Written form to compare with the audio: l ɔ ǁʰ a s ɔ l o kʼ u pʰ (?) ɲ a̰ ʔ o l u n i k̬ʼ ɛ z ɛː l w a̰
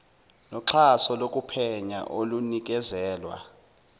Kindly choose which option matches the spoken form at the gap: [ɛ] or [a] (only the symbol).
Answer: ɛ